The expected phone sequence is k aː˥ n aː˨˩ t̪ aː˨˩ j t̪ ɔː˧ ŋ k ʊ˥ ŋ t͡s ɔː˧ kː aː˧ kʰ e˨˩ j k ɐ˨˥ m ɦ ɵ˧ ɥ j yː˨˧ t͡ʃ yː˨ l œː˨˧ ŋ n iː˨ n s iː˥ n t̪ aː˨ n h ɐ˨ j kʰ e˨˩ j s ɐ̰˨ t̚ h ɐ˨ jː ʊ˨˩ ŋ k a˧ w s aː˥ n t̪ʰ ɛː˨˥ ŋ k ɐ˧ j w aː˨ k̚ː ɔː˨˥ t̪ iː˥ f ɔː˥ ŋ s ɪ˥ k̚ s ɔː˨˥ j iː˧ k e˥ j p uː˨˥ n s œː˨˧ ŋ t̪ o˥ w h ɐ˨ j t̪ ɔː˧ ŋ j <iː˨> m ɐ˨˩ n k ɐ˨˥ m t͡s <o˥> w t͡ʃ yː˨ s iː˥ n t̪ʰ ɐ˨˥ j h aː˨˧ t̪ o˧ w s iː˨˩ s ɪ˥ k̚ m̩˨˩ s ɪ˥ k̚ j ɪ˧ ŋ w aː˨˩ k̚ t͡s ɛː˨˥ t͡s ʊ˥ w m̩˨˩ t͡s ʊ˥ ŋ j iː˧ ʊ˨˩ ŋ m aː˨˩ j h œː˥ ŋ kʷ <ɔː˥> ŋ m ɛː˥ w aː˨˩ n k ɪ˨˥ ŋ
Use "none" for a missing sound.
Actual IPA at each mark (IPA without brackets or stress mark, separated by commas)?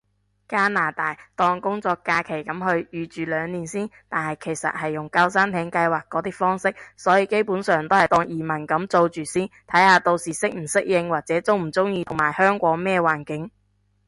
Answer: iː˨, o˧, ɔː˨˥